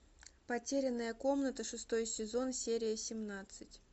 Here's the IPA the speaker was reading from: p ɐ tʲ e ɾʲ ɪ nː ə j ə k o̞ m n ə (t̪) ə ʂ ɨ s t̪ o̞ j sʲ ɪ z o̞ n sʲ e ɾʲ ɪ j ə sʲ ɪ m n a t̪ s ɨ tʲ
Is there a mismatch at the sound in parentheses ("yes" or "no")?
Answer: no